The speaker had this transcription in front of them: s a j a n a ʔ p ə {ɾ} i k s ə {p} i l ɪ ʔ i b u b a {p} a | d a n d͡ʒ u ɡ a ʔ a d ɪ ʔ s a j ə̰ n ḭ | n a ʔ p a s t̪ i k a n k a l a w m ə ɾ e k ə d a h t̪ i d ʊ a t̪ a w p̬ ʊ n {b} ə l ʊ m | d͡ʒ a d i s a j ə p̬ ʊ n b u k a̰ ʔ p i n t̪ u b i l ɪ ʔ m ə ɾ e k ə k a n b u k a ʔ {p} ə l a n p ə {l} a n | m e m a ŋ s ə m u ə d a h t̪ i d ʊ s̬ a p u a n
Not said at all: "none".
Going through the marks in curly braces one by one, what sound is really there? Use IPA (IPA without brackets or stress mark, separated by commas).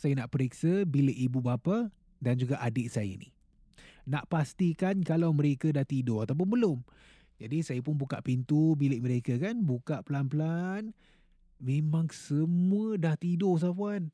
ɾ, b, p, b, p, l